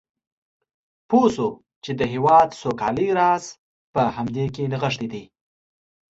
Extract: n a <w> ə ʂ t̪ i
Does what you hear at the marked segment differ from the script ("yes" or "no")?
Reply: yes